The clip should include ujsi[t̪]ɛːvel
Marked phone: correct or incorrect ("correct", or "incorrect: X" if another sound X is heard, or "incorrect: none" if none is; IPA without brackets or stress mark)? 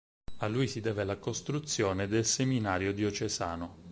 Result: incorrect: d̪